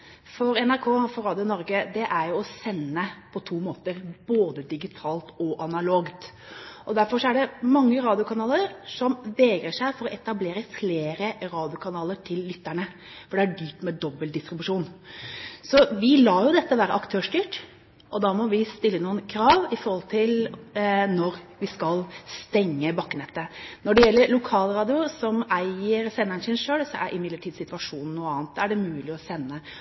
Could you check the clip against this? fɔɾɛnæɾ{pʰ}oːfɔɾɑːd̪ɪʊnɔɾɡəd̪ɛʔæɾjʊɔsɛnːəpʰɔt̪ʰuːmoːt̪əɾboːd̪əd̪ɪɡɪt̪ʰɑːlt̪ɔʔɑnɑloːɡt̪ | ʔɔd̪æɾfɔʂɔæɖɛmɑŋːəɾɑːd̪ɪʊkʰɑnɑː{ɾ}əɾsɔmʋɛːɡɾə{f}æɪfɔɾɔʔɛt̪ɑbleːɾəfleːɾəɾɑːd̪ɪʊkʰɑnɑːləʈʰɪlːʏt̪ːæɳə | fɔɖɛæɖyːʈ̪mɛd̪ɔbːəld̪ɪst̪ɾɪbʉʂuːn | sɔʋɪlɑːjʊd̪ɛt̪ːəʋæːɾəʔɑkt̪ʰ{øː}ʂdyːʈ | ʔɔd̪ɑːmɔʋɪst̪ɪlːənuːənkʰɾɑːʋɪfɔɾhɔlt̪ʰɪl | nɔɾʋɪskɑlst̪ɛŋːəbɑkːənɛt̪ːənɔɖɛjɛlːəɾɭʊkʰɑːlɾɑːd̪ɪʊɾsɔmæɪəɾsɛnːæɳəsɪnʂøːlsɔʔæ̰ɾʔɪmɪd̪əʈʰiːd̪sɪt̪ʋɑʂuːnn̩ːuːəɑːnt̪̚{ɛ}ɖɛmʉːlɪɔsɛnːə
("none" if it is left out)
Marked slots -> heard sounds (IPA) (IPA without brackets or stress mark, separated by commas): kʰ, l, ʂ, øː, æ